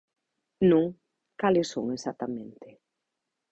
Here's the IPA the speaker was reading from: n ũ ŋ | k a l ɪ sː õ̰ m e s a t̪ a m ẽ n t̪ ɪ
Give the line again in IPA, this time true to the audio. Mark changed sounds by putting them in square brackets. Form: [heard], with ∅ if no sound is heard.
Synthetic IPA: n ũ ŋ | k a l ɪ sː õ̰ [ŋ] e s a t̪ a m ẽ n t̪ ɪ